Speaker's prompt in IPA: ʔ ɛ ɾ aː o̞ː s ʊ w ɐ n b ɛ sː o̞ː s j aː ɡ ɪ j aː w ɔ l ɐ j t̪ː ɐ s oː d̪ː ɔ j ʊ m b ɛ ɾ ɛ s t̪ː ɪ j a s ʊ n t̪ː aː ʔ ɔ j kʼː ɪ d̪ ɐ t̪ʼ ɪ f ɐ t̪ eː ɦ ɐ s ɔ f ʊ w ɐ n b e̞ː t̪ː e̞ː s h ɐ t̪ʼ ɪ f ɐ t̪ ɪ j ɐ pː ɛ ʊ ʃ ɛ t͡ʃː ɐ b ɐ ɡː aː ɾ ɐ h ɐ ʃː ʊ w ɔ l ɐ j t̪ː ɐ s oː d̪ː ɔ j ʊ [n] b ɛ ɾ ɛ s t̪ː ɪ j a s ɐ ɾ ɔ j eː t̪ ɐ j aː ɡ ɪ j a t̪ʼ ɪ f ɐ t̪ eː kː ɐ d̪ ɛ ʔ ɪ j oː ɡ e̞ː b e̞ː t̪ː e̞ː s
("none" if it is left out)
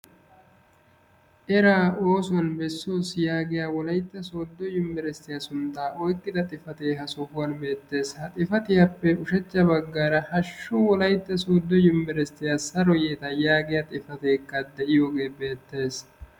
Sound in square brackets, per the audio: m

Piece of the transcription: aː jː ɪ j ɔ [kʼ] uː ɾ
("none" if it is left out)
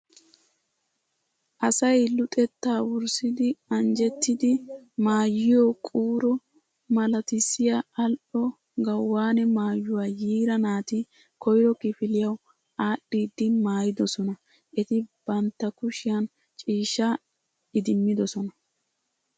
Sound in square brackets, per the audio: kʼ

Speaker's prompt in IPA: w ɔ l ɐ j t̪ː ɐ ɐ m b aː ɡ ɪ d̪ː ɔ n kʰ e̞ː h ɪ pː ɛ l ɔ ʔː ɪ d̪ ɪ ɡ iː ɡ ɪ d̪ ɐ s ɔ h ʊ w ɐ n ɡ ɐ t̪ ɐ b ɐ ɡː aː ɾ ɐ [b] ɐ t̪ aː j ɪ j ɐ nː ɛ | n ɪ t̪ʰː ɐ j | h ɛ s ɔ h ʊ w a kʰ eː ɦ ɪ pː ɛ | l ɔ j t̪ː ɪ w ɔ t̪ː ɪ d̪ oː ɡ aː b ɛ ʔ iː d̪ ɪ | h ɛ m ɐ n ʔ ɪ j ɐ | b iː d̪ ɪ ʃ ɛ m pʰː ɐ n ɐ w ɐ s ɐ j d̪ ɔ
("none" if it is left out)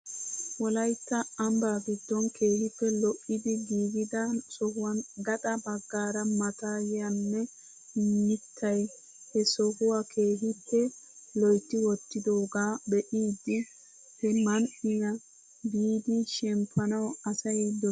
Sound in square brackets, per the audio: m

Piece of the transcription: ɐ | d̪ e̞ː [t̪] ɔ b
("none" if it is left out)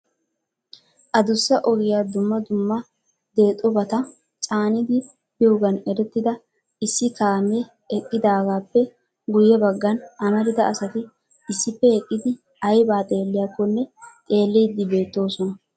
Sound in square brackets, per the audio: t̪ʼ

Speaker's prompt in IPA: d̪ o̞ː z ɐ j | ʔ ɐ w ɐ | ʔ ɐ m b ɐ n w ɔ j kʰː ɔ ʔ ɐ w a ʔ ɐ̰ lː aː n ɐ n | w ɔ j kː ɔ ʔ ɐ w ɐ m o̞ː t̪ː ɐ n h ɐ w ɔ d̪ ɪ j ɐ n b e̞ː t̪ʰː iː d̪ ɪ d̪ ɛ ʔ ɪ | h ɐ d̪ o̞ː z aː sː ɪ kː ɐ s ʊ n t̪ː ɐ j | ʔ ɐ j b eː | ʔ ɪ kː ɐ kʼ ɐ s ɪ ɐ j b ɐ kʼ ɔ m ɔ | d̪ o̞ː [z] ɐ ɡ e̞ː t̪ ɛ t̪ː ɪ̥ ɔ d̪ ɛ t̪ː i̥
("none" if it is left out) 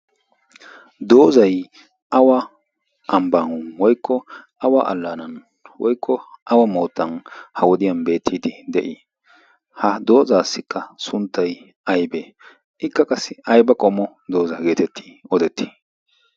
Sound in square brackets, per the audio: z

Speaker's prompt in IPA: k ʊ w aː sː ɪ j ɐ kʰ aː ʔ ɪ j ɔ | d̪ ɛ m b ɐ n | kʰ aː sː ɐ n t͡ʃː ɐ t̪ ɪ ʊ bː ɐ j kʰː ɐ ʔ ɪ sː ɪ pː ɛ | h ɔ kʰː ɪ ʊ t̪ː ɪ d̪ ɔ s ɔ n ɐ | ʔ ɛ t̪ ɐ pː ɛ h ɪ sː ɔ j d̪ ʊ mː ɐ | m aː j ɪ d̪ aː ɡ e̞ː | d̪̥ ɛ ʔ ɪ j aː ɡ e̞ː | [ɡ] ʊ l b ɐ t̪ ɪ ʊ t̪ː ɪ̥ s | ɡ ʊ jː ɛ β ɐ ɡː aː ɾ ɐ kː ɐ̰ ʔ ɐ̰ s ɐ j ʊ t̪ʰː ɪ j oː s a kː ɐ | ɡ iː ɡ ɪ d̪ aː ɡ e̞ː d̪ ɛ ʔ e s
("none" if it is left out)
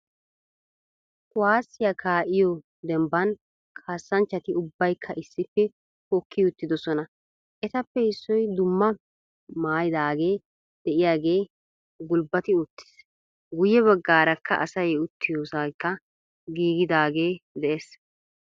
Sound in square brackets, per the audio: ɡ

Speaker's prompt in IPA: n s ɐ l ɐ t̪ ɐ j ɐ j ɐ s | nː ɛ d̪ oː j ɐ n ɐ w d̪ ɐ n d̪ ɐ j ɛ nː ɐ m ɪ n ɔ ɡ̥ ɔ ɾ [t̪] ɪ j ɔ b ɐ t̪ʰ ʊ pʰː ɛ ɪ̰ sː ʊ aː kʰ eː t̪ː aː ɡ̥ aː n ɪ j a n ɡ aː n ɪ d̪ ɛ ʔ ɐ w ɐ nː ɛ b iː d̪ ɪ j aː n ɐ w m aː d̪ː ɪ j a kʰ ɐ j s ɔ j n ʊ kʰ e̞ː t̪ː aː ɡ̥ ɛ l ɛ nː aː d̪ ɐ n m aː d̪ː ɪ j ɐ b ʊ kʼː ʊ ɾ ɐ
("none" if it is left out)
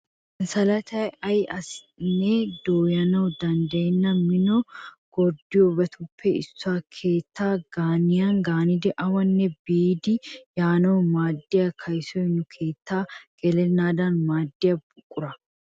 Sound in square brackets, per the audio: d̪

